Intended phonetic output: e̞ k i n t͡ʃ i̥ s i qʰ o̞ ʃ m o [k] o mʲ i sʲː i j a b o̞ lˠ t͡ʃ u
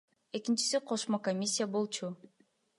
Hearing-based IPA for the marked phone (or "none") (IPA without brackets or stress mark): k